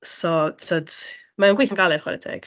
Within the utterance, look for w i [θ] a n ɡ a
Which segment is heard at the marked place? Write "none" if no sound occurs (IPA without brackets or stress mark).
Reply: θ